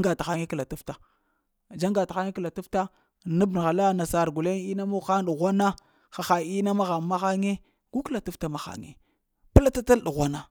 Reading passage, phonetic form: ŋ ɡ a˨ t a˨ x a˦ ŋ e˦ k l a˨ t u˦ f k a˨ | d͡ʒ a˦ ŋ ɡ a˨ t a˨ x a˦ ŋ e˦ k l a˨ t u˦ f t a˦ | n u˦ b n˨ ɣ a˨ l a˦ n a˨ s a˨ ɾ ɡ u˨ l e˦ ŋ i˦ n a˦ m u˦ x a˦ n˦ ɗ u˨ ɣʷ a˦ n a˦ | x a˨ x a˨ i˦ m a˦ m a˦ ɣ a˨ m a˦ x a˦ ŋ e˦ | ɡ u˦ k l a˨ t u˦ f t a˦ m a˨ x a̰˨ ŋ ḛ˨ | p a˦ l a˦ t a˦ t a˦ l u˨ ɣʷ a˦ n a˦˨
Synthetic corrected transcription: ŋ ɡ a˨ t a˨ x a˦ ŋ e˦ k l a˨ t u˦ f t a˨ | d͡ʒ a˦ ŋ ɡ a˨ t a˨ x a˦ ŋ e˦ k l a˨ t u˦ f t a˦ | n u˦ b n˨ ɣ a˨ l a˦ n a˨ s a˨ ɾ ɡ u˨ l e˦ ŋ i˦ n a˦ m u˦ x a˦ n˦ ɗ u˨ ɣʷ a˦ n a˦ | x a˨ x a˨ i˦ n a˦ m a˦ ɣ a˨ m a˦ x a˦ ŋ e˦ | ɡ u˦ k l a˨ t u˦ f t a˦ m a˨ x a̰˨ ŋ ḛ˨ | p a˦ l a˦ t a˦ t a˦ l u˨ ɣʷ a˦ n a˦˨